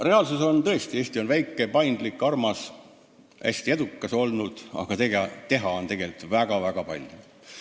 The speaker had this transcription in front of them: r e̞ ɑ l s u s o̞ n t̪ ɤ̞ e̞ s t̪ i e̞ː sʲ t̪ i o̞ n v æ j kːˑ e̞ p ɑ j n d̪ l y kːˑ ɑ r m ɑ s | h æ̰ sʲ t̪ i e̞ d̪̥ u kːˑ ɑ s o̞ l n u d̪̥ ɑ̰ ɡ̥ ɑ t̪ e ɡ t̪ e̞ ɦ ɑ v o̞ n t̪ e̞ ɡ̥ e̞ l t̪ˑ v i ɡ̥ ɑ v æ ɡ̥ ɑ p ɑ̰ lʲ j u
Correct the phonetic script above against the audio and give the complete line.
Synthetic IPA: r e̞ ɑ l s u s o̞ n t̪ ɤ̞ e̞ s t̪ i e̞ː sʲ t̪ i o̞ n v æ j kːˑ e̞ p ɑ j n d̪ l i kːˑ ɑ r m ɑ s | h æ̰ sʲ t̪ i e̞ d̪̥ u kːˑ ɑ s o̞ l n u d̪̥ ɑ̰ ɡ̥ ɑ t̪ e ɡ t̪ e̞ ɦ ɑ o̞ n t̪ e̞ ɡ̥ e̞ l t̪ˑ v æ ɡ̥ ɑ v æ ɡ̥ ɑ p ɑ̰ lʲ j u